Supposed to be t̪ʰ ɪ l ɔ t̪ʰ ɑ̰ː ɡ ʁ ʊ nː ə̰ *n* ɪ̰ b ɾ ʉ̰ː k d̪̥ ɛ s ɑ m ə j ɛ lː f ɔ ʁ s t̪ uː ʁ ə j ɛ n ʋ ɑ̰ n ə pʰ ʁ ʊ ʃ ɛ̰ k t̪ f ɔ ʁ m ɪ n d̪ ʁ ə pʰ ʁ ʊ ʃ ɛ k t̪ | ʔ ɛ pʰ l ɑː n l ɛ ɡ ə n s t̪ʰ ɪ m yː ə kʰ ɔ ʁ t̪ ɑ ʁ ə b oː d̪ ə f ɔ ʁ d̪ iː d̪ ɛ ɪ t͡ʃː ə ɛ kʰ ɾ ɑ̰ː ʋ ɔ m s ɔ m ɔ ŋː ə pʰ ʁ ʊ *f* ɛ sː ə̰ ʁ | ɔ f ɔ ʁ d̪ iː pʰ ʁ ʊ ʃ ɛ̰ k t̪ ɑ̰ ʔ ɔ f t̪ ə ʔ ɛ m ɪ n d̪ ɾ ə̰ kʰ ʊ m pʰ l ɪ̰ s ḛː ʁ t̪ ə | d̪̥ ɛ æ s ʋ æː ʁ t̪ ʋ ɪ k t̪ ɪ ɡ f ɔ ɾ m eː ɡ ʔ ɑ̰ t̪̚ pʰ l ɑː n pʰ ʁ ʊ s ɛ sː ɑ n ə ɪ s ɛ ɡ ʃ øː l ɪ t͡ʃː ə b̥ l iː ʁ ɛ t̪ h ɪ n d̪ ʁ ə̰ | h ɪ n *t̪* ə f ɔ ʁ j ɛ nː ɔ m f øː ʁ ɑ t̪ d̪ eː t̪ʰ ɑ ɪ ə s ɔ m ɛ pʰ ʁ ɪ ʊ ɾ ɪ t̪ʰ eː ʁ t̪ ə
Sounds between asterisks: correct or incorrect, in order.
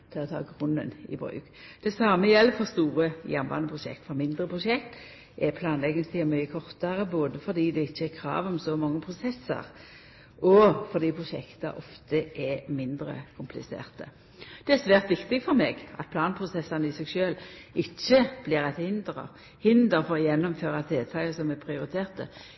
correct, incorrect: s, incorrect: d̪

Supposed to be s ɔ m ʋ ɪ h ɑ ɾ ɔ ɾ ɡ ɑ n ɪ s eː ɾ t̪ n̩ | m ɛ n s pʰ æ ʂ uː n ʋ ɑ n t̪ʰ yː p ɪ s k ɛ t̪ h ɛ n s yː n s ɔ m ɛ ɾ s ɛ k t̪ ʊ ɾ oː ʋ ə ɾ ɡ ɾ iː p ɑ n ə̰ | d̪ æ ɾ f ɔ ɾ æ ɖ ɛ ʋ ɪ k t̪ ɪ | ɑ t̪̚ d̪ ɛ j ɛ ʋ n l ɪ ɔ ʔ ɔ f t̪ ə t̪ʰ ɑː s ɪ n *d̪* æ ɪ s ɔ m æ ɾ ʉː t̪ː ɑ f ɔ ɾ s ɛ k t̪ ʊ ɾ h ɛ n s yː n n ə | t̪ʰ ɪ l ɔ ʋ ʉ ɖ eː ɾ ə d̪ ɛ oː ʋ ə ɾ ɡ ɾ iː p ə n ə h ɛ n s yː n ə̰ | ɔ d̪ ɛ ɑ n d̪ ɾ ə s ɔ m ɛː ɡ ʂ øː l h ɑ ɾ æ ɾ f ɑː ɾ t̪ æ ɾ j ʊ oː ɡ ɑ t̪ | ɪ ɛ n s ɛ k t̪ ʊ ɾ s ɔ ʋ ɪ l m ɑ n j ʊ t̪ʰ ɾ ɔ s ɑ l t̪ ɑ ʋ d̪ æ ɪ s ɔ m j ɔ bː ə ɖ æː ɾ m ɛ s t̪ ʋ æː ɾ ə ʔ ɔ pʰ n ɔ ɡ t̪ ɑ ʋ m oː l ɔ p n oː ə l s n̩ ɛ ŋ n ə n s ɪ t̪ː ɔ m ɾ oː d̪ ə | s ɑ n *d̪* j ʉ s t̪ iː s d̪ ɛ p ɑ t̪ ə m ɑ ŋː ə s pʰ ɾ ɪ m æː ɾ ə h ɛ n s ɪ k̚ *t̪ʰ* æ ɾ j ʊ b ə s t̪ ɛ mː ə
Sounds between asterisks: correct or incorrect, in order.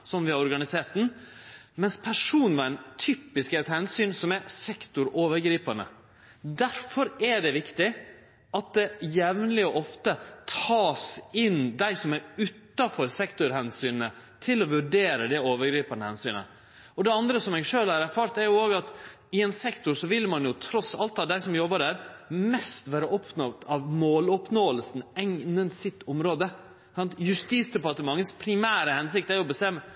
correct, incorrect: t̪, incorrect: t̪

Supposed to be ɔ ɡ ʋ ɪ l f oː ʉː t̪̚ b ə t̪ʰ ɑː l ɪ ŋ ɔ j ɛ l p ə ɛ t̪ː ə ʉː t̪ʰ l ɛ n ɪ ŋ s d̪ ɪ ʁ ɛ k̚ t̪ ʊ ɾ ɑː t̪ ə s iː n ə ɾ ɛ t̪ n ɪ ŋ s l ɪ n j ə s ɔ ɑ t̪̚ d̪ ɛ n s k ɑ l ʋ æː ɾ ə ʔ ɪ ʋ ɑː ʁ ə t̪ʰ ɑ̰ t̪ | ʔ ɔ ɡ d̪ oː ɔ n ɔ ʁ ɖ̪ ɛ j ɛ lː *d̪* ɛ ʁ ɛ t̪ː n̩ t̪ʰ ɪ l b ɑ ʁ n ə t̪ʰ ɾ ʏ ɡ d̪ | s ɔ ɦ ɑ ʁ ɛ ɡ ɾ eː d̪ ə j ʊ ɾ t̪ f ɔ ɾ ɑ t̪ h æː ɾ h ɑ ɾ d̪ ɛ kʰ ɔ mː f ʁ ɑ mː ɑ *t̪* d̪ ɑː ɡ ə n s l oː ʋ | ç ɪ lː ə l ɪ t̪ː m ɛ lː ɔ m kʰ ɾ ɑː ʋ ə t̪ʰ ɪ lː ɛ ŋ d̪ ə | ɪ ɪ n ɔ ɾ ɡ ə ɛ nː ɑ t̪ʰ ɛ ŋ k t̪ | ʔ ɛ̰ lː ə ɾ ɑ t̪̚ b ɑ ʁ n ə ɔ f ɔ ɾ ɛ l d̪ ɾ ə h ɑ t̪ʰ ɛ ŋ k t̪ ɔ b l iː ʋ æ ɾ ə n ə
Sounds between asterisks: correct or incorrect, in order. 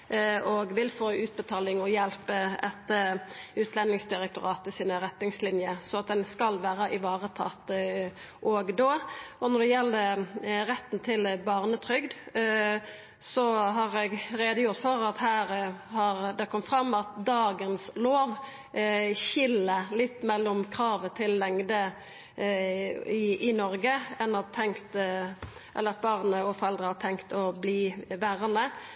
correct, correct

